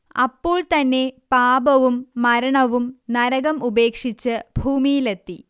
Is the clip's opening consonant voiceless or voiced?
voiceless